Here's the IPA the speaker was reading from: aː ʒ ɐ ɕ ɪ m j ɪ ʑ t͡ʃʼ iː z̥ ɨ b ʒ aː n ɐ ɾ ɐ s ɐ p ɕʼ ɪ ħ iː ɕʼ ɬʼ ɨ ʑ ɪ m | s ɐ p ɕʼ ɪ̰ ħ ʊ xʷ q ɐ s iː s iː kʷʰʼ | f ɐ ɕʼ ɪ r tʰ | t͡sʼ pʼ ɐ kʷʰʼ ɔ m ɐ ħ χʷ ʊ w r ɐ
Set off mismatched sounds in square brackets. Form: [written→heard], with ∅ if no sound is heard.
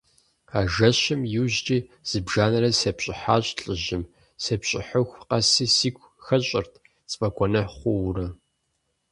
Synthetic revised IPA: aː ʒ ɐ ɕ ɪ m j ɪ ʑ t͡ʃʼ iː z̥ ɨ b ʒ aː n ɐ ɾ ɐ s ɐ p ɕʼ ɪ ħ [iː→aː] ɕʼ ɬʼ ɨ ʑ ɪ m | s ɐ p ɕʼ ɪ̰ ħ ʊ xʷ q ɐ s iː s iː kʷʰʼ | [f→x] ɐ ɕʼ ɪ r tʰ | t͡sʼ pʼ ɐ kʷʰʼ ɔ [m→n] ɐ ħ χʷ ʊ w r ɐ